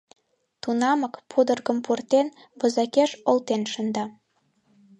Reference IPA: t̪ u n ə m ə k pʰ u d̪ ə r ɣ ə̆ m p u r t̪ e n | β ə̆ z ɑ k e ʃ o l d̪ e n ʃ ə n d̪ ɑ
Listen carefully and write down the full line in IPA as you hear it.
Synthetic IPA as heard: t̪ u n ɑ m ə k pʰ u d̪ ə r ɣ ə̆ m p u r t̪ e n | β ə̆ z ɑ k e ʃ o l t̪ e n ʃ ə n d̪ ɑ